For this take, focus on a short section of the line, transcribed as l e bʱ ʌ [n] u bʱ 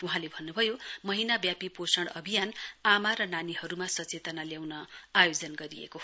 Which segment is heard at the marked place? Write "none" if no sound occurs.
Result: nː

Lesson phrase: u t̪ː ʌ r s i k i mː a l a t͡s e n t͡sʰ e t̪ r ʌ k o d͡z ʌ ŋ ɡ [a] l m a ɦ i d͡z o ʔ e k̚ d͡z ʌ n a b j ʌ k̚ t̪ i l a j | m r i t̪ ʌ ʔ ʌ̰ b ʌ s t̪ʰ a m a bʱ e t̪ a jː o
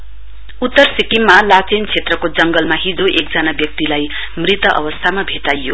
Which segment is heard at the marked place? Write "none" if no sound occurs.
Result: ʌ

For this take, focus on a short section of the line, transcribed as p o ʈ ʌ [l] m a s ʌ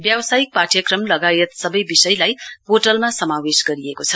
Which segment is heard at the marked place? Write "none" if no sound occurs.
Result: l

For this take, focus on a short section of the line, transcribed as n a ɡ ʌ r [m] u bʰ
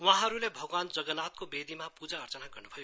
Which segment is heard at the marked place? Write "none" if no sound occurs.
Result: n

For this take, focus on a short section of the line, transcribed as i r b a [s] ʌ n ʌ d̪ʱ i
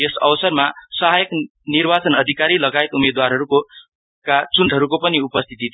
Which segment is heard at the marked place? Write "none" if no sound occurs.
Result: t͡s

